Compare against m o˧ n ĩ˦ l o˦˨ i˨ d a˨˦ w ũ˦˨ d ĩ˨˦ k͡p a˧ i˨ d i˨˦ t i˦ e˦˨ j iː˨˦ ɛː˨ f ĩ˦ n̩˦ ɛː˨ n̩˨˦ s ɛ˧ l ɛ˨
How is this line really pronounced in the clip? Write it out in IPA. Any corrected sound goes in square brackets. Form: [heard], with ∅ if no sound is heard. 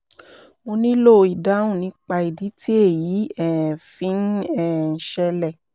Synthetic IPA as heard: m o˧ n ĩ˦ l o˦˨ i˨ d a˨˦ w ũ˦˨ [n] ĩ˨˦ k͡p a˧ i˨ d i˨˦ t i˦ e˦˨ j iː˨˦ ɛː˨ f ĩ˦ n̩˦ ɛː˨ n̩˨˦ [ʃ] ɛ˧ l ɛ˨